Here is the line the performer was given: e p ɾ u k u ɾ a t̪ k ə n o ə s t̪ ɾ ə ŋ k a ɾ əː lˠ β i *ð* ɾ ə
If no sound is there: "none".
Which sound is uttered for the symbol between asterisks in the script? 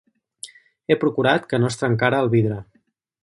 ð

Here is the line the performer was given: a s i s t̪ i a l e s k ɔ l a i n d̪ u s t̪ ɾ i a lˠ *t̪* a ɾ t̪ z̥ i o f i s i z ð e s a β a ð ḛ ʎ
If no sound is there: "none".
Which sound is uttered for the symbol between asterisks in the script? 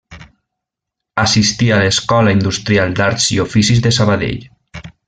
d̪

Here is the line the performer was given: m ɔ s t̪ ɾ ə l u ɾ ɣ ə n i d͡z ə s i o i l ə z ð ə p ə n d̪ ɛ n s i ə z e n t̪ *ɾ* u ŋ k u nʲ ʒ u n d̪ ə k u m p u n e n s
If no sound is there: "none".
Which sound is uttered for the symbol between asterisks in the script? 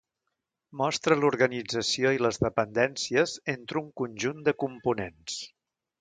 ɾ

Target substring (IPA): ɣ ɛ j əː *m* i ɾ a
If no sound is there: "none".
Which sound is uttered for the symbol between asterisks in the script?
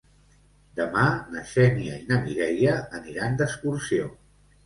n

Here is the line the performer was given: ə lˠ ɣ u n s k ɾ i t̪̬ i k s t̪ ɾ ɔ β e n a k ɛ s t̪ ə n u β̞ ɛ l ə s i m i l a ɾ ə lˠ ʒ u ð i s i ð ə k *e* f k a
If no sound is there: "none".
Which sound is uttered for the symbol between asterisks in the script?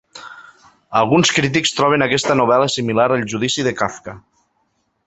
a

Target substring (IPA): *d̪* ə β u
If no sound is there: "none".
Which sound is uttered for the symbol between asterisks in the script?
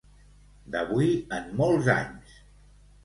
d̪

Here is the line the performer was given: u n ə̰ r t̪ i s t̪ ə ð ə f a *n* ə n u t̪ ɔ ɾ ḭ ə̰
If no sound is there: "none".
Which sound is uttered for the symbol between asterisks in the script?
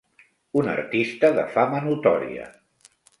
m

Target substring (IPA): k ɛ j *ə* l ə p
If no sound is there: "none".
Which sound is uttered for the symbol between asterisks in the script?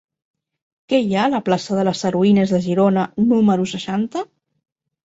a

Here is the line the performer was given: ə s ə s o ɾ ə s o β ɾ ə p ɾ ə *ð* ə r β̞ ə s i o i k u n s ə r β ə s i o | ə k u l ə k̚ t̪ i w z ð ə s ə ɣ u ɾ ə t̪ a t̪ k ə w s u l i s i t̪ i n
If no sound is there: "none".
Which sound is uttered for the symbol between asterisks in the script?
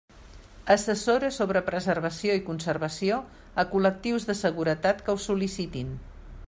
z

